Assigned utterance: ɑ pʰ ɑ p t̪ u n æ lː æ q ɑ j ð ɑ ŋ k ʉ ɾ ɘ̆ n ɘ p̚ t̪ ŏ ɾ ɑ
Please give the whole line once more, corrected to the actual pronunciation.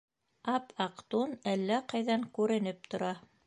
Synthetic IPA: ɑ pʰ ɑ q t̪ u n æ lː æ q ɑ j ð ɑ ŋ k ʉ ɾ ɘ̆ n ɘ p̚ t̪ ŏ ɾ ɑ